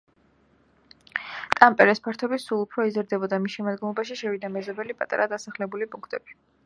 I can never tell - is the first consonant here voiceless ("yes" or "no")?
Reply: yes